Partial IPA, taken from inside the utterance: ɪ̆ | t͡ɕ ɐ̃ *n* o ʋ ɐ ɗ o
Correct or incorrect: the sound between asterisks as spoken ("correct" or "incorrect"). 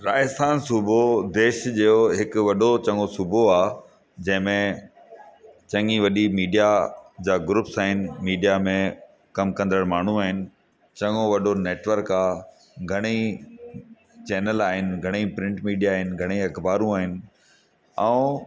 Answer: incorrect